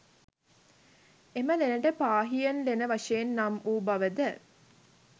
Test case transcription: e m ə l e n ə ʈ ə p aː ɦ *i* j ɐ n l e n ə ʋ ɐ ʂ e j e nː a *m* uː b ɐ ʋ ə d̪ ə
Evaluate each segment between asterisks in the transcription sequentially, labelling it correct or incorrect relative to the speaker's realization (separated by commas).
correct, correct